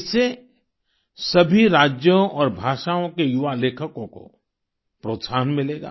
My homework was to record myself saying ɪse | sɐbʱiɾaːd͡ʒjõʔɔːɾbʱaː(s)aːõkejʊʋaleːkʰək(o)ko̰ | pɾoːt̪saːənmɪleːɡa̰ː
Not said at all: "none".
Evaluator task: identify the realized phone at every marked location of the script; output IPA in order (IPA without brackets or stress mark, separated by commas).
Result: ʃ, õ